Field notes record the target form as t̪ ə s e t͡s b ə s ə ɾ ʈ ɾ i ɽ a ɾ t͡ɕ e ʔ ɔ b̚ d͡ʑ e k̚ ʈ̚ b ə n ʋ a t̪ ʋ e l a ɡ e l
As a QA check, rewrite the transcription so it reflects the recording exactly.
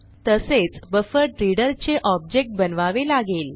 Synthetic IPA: t̪ ə s e t͡s b ə f ə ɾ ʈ ɾ i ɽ ə ɾ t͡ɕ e ʔ ɔ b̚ d͡ʑ e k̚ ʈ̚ b ə n ʋ a ʋ e l a ɡ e l